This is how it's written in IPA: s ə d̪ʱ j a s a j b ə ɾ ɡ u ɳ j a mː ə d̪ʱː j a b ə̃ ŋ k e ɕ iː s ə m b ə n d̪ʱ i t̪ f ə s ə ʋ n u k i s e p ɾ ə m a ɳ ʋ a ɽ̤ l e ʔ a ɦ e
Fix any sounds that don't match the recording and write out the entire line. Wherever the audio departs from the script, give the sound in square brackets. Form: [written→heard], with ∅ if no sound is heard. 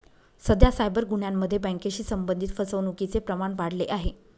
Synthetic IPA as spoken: s ə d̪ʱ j a s a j b ə ɾ ɡ u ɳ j a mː ə d̪ʱː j [a→e] b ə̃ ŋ k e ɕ iː s ə m b ə n d̪ʱ i t̪ f ə s ə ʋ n u k i [s→t͡s] e p ɾ ə m a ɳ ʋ a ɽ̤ l e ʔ a ɦ e